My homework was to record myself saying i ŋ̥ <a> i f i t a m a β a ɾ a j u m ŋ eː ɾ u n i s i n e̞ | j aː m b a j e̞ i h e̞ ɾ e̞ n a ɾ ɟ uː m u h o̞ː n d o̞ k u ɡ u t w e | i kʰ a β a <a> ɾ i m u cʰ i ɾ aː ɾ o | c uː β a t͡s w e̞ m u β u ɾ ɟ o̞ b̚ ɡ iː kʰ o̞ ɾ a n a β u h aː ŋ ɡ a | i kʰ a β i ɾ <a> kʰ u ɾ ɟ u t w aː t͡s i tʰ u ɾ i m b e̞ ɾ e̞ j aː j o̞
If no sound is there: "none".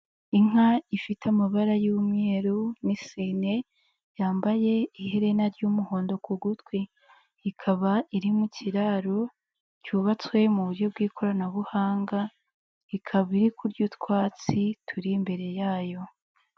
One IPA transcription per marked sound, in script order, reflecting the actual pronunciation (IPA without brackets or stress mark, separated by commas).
a, i, i